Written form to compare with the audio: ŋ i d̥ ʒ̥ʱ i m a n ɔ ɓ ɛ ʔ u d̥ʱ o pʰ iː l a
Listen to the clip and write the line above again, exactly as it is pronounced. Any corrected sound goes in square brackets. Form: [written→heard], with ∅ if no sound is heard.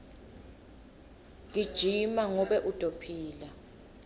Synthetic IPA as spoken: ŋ i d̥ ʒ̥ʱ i m a [n→ŋ] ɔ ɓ ɛ ʔ u d̥ʱ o pʰ iː l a